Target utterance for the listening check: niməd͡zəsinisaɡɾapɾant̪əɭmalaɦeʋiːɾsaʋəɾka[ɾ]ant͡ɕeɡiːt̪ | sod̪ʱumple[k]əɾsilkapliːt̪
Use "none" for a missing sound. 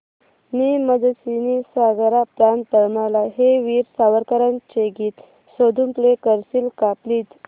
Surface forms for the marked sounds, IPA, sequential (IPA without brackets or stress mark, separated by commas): ɾ, k